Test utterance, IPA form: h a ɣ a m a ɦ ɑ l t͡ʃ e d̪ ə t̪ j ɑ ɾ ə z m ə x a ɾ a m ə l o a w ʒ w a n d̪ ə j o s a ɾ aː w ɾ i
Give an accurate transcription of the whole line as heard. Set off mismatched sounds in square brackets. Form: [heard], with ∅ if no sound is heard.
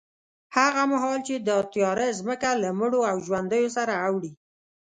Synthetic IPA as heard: h a ɣ a m a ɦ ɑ l t͡ʃ e d̪ ə t̪ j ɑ ɾ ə z m ə [k] a [l] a m ə [ɽ] o a w ʒ w a n d̪ ə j o s a ɾ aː w [ɽ] i

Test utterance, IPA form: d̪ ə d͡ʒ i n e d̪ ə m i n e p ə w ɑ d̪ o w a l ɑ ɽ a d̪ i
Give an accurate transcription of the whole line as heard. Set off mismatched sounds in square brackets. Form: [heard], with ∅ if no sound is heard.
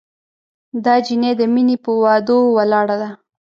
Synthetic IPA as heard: d̪ [ɑ] d͡ʒ i n e d̪ ə m i n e p ə w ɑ d̪ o w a l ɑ ɽ a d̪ [a]

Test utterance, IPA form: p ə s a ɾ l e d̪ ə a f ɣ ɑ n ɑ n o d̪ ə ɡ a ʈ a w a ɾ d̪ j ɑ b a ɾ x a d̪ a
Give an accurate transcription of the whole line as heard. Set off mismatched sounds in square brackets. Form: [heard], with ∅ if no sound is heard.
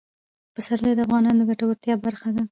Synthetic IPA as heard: p ə s a ɾ l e d̪ ə a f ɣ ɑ n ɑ n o d̪ ə ɡ a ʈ a w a ɾ [t̪] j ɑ b a ɾ x a d̪ a

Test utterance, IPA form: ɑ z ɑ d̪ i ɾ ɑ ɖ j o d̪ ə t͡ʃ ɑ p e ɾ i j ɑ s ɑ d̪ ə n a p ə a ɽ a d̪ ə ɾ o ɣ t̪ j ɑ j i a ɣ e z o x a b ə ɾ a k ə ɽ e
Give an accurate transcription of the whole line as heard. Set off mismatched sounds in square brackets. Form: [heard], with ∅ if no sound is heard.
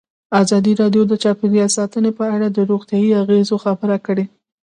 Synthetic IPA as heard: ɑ z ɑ d̪ i ɾ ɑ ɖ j o d̪ ə t͡ʃ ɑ p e ɾ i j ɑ s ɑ [t̪] ə n [e] p ə a ɽ a d̪ ə ɾ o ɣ t̪ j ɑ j i a ɣ e z o x a b ə ɾ a k ə ɽ e

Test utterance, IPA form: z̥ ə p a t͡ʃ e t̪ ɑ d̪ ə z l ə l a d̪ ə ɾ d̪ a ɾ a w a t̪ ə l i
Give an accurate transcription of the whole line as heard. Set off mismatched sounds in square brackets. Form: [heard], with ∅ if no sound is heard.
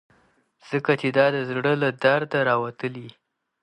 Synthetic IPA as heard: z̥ ə [k] a t͡ʃ e [d̪] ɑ d̪ ə z [ɽ] ə l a d̪ [a] ɾ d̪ a ɾ [ɑ] w a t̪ ə l i

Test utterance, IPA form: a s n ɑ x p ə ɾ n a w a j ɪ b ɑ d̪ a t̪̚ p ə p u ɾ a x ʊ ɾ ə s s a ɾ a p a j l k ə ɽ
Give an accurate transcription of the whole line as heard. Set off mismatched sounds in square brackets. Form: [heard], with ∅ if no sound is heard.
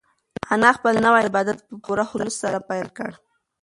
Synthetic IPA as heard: a [∅] n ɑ x p ə [l] n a w a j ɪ b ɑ d̪ a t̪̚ p ə p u ɾ a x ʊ [l] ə s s a ɾ a p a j l k ə ɽ

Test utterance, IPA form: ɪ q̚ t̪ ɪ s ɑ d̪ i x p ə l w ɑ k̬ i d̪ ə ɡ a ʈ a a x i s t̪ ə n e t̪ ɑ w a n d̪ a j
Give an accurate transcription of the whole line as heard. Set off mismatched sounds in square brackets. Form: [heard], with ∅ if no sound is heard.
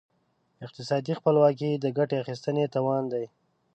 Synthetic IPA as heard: ɪ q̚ t̪ ɪ s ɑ d̪ i x p ə l w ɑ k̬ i d̪ ə ɡ a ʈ [e] a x i s t̪ ə n e t̪ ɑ w [ɑ] n d̪ a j

